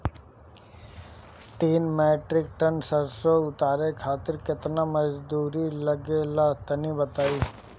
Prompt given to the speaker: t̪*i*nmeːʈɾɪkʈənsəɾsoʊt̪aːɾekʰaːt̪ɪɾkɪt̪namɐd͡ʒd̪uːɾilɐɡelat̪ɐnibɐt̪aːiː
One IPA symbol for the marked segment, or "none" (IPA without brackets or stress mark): iː